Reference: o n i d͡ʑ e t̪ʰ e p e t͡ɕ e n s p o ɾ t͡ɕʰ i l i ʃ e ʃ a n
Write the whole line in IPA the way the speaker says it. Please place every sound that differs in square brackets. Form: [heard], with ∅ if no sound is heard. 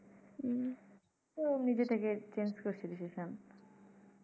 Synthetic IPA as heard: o n i d͡ʑ e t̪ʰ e [k] e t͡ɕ e n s [k] o ɾ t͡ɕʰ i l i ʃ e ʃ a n